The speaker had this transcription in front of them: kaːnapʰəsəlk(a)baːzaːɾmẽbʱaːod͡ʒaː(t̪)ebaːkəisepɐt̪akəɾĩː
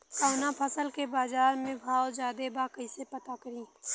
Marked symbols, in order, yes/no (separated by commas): no, no